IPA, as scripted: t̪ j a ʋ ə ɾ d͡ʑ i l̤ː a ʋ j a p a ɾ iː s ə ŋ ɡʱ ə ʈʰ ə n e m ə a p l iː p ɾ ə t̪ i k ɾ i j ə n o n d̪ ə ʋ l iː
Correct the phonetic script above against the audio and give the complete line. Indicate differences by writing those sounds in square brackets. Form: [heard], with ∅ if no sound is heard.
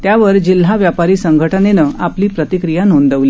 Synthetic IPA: t̪ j a ʋ ə ɾ d͡ʑ i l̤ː a ʋ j a p a ɾ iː s ə ŋ ɡʱ ə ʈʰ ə n e [n] ə a p l iː p ɾ ə t̪ i k ɾ i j [a] n o n d̪ ə ʋ l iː